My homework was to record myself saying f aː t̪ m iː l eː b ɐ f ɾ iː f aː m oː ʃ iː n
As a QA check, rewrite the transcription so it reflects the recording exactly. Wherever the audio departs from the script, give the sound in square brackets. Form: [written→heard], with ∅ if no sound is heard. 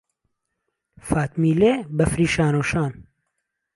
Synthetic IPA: f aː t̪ m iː l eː b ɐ f ɾ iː [f→ʃ] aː [m→n] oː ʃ [iː→aː] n